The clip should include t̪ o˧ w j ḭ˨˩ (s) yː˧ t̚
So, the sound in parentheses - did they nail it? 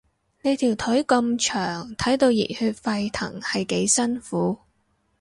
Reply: no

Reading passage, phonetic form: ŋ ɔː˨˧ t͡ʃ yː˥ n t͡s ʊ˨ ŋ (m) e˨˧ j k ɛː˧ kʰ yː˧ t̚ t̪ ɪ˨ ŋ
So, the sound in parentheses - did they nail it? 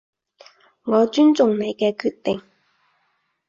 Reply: no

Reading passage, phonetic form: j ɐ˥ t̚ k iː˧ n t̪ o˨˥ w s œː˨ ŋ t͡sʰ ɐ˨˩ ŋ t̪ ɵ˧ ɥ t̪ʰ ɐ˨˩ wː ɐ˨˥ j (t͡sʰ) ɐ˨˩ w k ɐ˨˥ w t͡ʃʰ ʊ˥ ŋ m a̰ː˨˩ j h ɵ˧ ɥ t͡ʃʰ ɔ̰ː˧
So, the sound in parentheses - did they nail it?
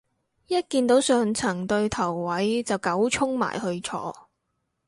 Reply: no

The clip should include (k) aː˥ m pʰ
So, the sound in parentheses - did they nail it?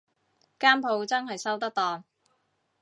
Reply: yes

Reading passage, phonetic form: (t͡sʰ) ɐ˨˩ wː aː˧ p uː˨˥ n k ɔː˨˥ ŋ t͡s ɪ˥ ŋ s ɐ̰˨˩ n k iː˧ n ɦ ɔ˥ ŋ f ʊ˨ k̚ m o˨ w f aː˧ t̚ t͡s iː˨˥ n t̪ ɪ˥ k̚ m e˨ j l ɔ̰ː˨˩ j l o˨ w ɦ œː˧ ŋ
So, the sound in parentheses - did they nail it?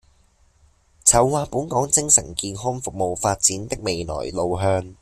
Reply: yes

